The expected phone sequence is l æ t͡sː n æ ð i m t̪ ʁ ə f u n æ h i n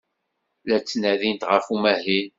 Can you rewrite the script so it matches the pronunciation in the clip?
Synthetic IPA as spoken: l æ t͡sː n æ ð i n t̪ ʁ ə f u m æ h i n